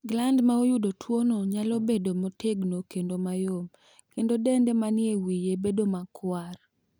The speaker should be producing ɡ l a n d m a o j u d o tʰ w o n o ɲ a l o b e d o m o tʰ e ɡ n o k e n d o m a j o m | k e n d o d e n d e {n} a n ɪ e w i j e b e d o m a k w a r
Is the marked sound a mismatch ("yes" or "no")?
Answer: yes